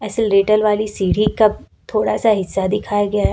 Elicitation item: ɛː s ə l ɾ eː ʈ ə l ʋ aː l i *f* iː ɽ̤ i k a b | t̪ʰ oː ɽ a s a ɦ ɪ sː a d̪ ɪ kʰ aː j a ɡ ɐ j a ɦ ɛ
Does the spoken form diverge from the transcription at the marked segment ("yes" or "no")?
yes